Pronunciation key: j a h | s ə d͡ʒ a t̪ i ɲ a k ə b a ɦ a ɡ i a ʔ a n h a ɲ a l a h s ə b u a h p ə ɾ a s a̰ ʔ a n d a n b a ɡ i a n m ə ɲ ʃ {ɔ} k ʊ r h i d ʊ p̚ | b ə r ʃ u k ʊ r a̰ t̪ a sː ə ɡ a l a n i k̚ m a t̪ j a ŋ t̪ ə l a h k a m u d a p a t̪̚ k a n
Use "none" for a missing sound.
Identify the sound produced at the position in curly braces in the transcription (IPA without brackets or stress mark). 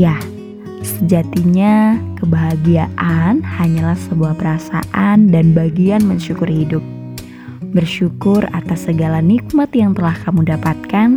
u